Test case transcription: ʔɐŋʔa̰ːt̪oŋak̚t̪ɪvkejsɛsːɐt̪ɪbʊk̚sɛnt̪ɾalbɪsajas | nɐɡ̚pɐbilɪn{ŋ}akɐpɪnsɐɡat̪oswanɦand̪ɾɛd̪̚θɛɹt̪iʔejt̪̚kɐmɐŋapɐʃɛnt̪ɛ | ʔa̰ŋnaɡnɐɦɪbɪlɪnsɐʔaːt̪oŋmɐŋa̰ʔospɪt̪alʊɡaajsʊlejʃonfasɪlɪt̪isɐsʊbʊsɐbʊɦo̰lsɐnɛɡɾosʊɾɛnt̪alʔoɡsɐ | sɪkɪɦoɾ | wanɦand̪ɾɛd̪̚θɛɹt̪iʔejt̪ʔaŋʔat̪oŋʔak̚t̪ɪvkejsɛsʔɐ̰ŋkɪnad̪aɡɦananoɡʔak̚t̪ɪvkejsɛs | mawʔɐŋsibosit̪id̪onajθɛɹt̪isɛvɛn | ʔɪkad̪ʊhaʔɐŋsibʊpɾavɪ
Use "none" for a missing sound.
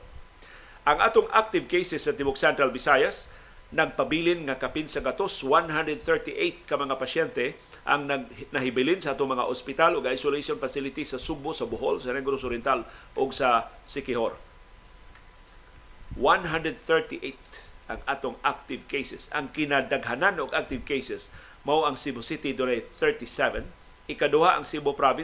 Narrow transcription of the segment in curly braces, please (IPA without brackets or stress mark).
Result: ŋ